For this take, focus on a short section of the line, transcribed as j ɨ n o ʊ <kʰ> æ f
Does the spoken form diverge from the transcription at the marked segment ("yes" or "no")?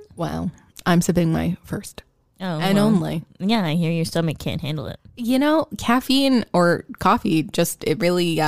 no